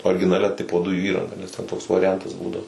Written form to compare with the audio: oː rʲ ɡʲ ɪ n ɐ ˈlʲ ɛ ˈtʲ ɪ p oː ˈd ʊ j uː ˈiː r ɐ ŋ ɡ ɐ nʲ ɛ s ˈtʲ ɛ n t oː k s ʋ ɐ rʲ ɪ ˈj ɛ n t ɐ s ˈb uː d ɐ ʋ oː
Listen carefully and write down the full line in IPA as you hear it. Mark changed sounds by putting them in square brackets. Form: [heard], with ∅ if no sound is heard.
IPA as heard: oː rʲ ɡʲ ɪ n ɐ ˈlʲ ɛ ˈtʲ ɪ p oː ˈd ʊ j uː ˈiː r ɐ ŋ ɡ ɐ nʲ ɛ s ˈtʲ ɛ n t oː k s ʋ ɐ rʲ ɪ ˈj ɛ n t ɐ s ˈb uː d ɐ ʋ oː